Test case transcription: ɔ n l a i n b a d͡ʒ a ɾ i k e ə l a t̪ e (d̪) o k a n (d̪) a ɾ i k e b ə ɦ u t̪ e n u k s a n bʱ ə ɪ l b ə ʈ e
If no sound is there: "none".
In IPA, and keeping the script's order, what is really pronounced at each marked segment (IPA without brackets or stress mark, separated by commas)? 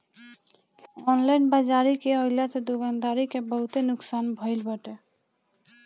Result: d̪, d̪